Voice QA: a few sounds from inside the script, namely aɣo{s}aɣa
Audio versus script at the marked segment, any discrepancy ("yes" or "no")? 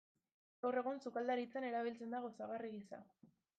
no